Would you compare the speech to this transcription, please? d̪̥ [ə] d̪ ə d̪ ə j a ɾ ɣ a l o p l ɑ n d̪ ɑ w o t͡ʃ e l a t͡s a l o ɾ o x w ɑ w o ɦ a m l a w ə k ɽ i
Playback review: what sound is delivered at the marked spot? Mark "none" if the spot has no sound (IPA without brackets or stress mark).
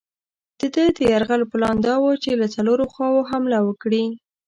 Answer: ə